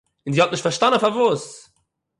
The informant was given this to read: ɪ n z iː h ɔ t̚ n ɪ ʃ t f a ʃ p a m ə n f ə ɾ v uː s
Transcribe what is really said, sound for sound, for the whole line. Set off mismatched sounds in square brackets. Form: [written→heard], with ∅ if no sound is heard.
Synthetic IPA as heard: ɪ n z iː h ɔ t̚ n ɪ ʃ t f a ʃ [p→t] a [m→n] ə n f [ə→a] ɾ v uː s

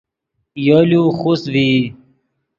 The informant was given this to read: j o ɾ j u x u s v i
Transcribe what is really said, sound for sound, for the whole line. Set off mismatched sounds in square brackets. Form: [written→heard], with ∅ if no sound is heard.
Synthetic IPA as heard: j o [ɾ→l] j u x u s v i

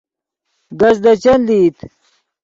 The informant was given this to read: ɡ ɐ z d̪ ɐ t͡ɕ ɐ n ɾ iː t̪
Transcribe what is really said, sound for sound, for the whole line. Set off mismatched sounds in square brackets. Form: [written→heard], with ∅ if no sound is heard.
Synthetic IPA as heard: ɡ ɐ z d̪ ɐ t͡ɕ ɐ n [ɾ→l] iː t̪

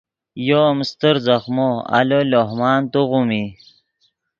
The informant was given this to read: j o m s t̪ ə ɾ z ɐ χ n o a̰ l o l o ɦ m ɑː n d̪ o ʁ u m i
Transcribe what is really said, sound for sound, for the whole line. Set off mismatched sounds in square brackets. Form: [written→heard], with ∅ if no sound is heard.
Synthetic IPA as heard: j o m s t̪ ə ɾ z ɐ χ [n→m] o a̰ l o l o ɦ m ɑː n [d̪→t̪] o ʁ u m i

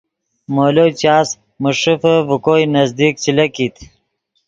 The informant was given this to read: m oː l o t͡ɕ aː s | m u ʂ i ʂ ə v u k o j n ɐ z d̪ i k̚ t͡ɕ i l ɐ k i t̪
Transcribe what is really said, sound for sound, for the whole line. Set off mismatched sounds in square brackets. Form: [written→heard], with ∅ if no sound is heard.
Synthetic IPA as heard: m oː l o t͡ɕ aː s | m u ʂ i [ʂ→f] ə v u k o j n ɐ z d̪ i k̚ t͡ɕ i l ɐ k i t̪

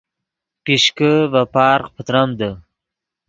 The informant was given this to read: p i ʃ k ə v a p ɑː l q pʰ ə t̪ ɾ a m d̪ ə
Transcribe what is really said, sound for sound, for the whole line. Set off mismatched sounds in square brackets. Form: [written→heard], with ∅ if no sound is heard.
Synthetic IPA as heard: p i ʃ k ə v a p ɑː [l→ɾ] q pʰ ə t̪ ɾ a m d̪ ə

